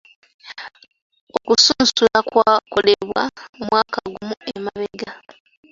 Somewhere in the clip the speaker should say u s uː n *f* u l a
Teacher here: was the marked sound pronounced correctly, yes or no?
no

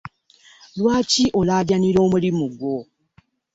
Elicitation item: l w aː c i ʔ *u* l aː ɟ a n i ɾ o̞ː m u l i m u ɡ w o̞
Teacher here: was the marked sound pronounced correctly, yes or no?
no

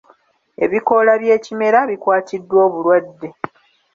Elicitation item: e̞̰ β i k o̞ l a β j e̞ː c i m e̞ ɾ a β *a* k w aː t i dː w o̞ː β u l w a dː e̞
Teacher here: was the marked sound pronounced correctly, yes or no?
no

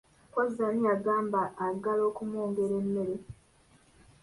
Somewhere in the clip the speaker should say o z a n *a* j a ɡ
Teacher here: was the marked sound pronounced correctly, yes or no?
no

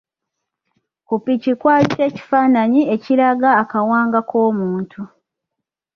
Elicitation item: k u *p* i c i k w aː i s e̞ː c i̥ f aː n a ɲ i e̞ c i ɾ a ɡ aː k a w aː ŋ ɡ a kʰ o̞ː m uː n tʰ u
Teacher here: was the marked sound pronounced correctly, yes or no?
yes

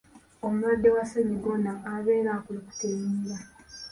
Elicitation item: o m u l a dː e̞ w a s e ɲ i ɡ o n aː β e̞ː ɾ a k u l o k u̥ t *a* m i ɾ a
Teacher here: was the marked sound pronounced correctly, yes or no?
no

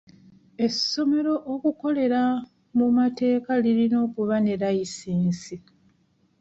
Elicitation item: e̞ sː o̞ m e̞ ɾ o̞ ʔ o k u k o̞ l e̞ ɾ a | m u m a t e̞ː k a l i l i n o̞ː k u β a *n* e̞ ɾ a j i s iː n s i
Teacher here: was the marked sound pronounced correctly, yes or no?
yes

